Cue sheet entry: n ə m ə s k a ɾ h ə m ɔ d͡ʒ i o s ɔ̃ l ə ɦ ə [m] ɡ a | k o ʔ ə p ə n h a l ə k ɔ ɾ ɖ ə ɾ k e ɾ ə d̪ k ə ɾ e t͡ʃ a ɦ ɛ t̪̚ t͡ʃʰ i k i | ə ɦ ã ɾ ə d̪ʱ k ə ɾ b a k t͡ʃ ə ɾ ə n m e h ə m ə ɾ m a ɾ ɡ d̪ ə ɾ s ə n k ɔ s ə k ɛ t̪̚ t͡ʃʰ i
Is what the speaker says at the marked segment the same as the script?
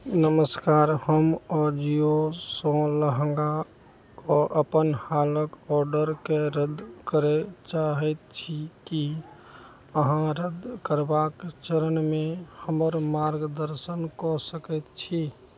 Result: no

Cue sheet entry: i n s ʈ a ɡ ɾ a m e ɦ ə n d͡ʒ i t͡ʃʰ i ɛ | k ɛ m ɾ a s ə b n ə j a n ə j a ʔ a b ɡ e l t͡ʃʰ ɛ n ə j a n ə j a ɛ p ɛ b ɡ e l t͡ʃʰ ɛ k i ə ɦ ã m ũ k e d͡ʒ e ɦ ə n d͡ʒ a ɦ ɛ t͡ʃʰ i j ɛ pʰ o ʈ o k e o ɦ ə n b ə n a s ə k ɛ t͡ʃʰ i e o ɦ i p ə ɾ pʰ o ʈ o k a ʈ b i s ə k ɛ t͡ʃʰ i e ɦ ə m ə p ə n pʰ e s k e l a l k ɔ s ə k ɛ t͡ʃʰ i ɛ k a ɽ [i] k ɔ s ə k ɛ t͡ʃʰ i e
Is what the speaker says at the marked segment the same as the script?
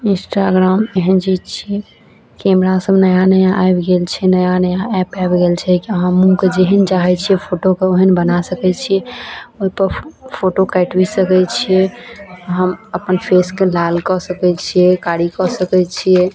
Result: yes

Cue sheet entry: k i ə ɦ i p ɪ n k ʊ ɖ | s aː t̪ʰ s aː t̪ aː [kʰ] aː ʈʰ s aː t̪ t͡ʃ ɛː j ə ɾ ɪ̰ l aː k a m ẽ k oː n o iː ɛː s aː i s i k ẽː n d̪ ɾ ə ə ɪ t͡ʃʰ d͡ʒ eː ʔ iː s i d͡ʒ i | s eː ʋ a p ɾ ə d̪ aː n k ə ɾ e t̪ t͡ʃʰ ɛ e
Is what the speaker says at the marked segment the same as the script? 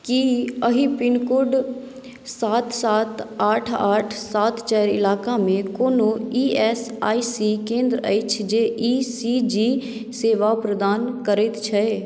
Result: no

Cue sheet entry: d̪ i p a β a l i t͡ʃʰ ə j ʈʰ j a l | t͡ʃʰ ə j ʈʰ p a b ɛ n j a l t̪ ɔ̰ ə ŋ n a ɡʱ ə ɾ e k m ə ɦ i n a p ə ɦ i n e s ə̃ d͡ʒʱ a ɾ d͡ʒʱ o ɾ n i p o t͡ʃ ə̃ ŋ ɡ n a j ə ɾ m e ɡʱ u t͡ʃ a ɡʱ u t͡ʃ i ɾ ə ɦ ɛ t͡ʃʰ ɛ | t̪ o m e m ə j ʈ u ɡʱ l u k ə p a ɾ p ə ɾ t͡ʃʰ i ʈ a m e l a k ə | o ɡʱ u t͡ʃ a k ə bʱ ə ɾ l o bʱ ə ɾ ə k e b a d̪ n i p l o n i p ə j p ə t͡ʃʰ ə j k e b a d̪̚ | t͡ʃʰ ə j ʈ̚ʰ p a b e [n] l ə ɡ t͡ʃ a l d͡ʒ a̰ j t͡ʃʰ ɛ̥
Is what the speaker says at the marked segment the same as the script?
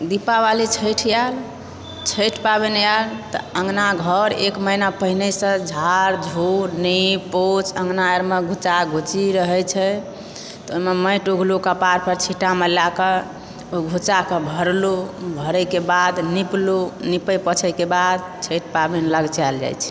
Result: yes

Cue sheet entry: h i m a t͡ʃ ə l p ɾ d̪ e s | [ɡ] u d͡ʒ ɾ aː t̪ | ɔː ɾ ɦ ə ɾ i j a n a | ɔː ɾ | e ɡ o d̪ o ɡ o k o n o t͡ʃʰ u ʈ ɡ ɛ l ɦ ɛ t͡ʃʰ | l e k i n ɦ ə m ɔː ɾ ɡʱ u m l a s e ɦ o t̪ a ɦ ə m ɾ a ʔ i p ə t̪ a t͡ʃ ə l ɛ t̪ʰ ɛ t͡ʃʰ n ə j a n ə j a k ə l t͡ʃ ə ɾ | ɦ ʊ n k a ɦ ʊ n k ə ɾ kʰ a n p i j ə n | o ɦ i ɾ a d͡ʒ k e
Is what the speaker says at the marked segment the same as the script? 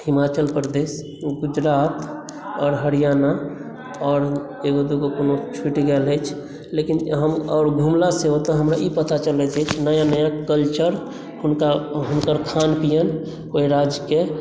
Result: yes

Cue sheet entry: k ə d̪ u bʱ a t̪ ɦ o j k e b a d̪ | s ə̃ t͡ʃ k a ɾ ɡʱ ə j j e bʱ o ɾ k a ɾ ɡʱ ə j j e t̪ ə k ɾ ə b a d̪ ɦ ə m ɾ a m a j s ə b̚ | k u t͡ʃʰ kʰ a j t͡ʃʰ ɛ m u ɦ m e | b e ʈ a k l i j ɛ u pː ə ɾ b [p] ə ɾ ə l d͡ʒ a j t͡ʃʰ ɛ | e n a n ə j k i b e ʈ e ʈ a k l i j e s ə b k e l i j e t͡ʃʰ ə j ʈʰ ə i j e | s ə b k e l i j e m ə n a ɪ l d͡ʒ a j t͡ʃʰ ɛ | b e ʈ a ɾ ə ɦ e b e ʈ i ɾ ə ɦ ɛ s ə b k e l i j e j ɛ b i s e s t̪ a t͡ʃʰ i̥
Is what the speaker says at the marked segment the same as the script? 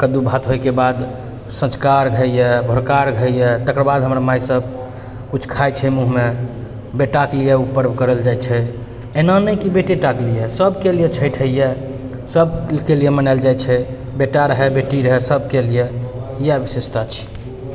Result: no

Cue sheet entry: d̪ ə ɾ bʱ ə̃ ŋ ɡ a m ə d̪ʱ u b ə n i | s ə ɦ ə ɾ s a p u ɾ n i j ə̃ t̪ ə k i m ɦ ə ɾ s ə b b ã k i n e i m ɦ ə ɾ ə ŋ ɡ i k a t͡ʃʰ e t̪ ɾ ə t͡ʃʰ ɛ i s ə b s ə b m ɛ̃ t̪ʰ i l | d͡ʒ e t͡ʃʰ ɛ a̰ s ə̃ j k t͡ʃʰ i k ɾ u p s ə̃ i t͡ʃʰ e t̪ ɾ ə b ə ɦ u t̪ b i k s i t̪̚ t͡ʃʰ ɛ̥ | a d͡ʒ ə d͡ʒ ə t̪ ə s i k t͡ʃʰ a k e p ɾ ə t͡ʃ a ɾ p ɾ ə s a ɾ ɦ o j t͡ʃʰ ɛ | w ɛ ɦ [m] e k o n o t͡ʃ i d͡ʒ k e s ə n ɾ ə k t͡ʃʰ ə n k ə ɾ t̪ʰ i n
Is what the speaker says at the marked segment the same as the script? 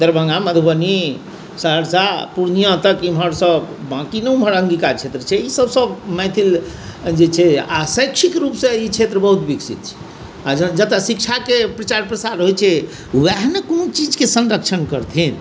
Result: no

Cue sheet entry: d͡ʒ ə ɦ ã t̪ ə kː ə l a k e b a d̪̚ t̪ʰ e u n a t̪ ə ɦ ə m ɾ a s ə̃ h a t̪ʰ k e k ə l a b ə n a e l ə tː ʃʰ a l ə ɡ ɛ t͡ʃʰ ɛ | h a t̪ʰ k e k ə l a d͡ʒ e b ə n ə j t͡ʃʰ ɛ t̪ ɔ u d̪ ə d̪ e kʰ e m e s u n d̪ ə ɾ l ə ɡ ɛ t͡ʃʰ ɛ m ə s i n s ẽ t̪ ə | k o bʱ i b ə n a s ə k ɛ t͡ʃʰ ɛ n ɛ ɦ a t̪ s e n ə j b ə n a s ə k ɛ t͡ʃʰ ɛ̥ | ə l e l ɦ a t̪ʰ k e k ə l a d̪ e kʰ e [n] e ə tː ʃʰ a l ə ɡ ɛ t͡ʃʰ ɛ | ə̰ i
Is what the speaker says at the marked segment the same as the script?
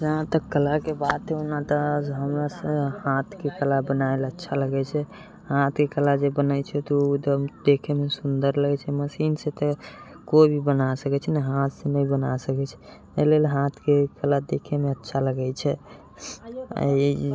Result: no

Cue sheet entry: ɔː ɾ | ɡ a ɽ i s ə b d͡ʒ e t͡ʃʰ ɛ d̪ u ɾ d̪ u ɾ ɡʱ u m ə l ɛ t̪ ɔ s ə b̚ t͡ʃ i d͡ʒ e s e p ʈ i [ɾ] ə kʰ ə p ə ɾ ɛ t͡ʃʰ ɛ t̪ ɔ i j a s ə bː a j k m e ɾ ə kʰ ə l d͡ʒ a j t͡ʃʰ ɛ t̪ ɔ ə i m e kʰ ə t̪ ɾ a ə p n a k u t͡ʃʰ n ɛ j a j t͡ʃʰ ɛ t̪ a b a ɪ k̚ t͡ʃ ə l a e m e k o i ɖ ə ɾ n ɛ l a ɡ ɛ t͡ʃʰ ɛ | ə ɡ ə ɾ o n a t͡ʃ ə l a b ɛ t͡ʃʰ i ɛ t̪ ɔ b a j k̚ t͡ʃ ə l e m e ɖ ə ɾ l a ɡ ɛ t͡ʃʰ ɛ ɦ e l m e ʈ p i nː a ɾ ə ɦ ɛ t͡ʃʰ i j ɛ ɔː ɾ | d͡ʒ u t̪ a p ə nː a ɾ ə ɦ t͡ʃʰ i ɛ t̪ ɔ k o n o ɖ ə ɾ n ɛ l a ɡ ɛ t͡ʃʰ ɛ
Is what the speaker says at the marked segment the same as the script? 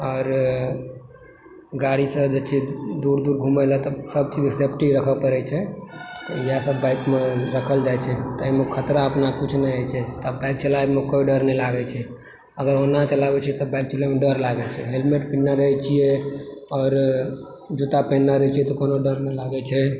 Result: yes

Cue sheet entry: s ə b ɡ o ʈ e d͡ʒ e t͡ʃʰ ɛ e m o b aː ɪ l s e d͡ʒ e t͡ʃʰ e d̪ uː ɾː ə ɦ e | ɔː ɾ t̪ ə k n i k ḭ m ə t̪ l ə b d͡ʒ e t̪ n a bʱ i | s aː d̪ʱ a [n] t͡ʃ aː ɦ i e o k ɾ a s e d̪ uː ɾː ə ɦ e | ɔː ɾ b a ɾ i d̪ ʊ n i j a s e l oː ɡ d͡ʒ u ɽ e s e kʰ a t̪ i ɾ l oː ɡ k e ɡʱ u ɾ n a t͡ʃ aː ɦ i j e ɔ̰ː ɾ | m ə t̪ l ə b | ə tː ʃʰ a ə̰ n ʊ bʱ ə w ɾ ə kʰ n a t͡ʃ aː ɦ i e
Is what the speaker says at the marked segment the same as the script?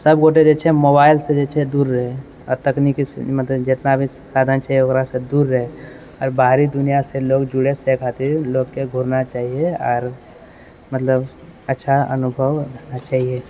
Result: yes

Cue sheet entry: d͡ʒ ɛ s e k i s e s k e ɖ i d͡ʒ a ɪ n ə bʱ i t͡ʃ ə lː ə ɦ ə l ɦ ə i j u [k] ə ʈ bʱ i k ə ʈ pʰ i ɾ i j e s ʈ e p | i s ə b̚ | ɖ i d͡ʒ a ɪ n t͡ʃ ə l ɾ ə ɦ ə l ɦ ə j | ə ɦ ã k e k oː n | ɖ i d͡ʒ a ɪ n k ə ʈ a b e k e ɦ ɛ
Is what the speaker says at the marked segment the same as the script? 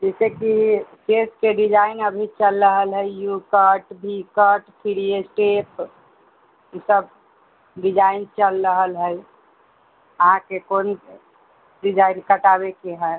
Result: yes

